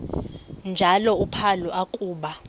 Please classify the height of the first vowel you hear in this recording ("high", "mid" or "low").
low